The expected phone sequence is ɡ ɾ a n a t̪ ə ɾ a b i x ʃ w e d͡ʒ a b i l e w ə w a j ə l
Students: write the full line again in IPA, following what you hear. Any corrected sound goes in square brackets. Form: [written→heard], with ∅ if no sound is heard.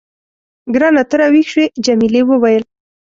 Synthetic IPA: ɡ ɾ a n a t̪ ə ɾ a [b→w] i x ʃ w e d͡ʒ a [b→m] i l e w ə w a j ə l